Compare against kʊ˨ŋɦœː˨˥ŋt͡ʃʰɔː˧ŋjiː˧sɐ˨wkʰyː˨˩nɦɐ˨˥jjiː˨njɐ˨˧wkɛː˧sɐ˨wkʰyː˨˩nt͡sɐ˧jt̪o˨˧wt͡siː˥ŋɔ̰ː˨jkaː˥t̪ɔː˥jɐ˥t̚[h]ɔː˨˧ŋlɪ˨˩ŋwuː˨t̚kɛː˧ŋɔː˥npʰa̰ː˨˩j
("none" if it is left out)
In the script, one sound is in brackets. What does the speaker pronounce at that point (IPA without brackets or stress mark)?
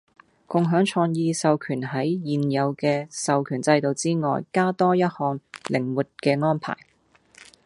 h